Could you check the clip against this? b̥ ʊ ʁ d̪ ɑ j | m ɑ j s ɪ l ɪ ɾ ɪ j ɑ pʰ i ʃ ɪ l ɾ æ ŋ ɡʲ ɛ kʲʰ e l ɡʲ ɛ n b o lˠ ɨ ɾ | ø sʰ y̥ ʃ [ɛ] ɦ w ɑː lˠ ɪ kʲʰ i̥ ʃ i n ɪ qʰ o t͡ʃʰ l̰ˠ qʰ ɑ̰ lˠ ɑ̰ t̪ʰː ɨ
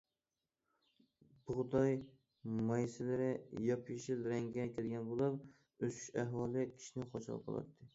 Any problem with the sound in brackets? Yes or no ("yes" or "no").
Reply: yes